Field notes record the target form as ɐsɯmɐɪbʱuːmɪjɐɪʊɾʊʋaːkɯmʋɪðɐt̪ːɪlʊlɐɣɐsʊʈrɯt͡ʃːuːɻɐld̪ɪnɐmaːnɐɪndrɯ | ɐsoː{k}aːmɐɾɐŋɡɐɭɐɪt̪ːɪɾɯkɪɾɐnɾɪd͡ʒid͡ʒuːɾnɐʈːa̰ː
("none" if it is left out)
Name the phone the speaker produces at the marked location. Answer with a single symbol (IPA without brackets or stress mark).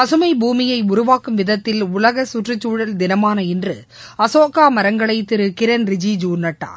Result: k